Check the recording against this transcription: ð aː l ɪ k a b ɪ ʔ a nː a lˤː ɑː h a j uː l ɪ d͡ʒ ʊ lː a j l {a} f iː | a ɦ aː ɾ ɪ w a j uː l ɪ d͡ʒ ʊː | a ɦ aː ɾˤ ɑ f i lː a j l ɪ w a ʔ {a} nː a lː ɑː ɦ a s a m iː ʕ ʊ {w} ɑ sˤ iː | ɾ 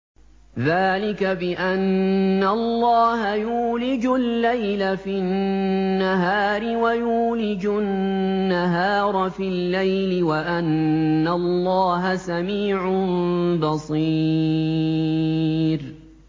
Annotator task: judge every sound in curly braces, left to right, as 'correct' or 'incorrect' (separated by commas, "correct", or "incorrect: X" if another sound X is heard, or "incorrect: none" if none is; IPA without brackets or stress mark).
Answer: correct, correct, incorrect: b